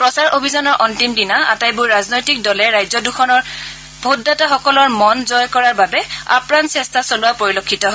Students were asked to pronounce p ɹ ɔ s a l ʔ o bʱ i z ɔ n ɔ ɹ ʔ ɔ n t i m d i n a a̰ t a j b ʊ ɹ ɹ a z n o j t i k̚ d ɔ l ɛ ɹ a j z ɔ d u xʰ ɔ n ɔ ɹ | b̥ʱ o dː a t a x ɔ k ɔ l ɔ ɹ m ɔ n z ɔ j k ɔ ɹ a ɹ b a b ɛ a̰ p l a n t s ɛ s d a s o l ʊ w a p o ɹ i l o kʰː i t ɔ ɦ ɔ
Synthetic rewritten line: p ɹ ɔ s a ɹ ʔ o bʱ i z ɔ n ɔ ɹ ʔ ɔ n t i m d i n a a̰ t a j b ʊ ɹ ɹ a z n o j t i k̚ d ɔ l ɛ ɹ a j z ɔ d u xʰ ɔ n ɔ ɹ | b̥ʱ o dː a t a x ɔ k ɔ l ɔ ɹ m ɔ n z ɔ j k ɔ ɹ a ɹ b a b ɛ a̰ p ɹ a n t s ɛ s t a s o l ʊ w a p o ɹ i l o kʰː i t ɔ ɦ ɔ